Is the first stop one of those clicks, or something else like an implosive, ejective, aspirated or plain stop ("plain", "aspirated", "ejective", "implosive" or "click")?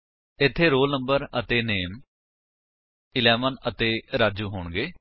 aspirated